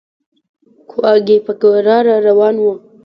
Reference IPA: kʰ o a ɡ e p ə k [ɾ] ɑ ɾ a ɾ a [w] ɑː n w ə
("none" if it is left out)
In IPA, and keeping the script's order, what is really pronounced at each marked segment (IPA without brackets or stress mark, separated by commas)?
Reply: ɾ, w